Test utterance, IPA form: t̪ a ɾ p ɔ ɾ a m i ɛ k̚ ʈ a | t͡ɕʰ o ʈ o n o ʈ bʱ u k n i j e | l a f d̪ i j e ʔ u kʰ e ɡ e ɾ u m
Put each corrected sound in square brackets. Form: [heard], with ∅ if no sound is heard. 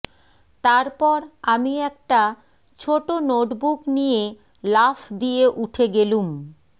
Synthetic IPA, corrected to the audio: t̪ a ɾ p ɔ ɾ a m i ɛ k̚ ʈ a | t͡ɕʰ o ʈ o n o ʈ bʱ u k n i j e | l a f d̪ i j e ʔ u [ʈʰ] e ɡ e [l] u m